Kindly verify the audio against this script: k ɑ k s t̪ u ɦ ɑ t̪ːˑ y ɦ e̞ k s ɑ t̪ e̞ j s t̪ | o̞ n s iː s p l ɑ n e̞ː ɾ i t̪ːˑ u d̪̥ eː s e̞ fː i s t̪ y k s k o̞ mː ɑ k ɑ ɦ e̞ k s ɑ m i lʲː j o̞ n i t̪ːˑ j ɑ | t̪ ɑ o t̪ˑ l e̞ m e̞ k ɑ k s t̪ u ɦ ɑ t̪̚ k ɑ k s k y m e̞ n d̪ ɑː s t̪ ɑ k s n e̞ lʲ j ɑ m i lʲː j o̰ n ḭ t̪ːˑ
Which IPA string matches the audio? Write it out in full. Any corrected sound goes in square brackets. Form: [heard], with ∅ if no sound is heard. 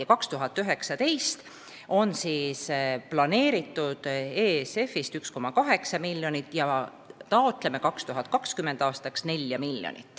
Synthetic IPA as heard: k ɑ k s t̪ u ɦ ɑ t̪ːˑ y ɦ e̞ k s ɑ t̪ e̞ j s t̪ | o̞ n s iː s p l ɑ n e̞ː ɾ i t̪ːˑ u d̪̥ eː s e̞ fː i s t̪ y k s k o̞ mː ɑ k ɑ ɦ e̞ k s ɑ m i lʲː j o̞ n i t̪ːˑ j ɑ | t̪ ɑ o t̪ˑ l e̞ m e̞ k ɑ k s t̪ u ɦ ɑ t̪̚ k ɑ k s k y m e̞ n d̪ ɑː s t̪ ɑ k s n e̞ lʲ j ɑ m i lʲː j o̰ n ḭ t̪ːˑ